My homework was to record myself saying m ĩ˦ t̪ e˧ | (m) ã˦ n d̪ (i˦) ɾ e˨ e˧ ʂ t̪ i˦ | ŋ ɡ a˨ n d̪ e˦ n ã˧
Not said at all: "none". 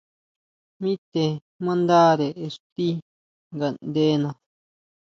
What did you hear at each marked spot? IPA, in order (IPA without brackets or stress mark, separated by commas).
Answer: m, a˦